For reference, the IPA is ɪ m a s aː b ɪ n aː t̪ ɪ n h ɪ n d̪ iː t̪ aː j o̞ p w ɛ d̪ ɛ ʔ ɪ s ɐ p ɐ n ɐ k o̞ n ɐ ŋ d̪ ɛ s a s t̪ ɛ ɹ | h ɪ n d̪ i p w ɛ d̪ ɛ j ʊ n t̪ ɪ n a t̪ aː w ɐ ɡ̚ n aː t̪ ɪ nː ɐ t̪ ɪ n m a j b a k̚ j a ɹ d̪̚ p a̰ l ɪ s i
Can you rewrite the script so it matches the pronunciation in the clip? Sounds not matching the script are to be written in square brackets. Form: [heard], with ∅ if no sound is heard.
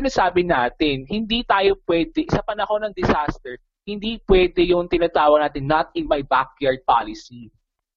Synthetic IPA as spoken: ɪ [n] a s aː b ɪ n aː t̪ ɪ n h ɪ n d̪ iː t̪ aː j o̞ p w ɛ d̪ ɛ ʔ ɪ s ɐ p ɐ n ɐ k o̞ n ɐ ŋ d̪ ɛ s a s t̪ ɛ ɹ | h ɪ n d̪ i p w ɛ d̪ ɛ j ʊ [ŋ] t̪ ɪ n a t̪ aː w ɐ ɡ̚ n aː t̪ ɪ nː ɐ t̪ ɪ n m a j b a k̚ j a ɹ d̪̚ p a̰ l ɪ s i